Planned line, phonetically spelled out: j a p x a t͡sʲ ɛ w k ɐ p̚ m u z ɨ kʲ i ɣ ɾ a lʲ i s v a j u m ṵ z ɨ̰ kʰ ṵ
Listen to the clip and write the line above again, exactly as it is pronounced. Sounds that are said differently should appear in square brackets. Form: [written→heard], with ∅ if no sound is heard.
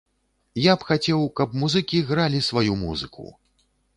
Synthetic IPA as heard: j a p x a t͡sʲ ɛ w k ɐ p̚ m u z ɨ kʲ i ɣ ɾ a lʲ i s v a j u m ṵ z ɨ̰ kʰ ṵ